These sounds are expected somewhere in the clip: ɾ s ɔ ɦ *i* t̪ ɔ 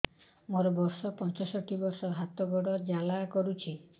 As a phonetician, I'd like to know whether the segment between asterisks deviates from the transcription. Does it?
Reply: yes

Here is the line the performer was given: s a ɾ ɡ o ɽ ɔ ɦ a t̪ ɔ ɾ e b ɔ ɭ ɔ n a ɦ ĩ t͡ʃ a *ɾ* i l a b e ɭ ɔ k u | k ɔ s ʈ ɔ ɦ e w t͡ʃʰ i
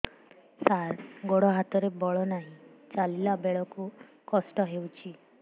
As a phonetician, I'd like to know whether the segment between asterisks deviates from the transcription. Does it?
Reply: yes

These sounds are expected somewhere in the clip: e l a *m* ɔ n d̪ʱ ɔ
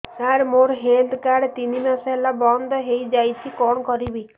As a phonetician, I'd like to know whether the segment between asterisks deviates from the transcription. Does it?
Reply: yes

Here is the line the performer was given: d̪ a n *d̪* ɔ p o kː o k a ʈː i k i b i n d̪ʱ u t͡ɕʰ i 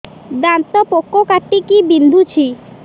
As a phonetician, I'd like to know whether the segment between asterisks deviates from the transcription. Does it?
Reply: yes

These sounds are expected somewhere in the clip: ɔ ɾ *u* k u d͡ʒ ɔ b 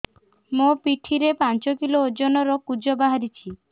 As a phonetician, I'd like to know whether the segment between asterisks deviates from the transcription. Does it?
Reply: yes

